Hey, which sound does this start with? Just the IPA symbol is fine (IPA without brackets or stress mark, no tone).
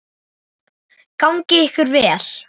k